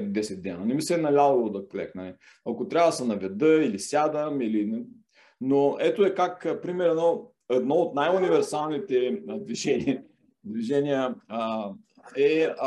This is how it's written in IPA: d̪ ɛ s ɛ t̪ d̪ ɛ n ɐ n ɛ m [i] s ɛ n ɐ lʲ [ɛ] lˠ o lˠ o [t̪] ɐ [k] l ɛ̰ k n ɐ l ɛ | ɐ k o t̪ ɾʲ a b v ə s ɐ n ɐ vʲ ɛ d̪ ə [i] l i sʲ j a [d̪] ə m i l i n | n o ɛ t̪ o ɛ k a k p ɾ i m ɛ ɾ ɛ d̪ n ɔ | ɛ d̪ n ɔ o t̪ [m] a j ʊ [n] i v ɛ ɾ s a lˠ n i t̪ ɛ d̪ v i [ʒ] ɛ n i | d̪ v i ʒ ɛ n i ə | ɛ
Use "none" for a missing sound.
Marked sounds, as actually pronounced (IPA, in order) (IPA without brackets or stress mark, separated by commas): i, a, d̪, k, i, d̪, n, n, ʒ